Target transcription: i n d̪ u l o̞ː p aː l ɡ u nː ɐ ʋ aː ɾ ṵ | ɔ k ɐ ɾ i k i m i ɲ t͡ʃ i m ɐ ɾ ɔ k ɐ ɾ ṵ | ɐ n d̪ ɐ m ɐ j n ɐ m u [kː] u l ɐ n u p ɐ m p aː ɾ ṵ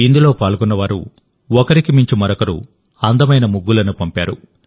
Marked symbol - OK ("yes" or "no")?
no